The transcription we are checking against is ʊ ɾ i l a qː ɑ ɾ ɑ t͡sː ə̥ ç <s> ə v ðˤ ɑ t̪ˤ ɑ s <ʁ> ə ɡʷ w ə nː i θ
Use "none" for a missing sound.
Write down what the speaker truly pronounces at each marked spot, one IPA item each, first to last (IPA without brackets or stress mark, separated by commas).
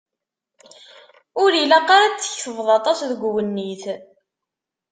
θ, ð